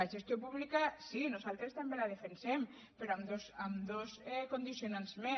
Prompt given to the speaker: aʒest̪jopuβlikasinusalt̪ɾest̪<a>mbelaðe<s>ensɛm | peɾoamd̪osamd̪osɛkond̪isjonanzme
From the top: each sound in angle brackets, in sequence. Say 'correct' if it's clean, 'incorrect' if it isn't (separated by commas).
correct, incorrect